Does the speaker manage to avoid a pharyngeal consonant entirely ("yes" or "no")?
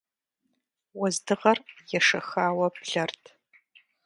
yes